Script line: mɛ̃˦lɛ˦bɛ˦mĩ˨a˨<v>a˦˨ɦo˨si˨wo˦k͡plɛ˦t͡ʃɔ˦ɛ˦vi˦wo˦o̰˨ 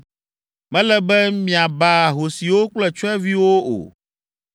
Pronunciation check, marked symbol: incorrect: b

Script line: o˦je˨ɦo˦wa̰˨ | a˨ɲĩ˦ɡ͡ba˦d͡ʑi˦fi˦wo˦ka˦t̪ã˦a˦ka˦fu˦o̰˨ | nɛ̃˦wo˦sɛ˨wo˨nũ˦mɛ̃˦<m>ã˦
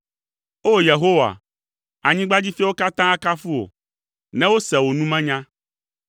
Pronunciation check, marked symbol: incorrect: ɲ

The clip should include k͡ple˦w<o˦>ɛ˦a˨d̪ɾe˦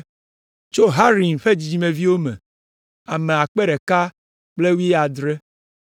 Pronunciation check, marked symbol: incorrect: u˦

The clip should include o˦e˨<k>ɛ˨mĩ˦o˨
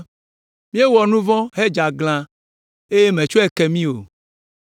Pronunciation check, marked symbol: correct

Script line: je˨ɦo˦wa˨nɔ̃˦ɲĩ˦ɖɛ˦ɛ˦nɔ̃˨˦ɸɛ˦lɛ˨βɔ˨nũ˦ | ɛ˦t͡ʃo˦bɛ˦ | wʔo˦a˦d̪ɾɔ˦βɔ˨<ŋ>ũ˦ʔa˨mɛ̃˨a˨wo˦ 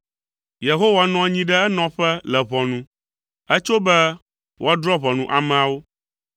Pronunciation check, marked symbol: incorrect: n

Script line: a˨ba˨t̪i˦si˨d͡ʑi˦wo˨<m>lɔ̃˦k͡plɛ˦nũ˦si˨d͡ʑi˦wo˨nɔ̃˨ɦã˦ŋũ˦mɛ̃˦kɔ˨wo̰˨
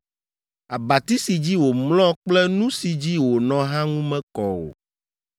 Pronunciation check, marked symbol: correct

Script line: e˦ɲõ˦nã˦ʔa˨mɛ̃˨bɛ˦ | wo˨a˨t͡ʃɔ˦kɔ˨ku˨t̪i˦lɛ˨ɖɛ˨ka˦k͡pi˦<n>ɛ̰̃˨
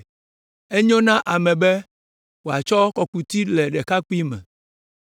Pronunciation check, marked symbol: incorrect: m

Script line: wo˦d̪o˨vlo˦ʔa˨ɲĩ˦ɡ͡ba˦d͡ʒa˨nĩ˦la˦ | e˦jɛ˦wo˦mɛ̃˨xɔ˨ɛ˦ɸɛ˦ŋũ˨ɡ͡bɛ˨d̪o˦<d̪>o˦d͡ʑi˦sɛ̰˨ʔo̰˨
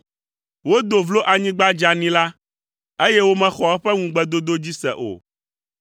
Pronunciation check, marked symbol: correct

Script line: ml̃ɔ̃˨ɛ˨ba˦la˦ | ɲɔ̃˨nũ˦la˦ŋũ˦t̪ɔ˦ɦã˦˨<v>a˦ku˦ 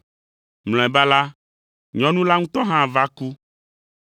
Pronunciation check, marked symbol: correct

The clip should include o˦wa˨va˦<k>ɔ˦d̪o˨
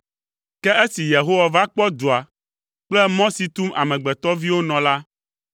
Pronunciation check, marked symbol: incorrect: k͡p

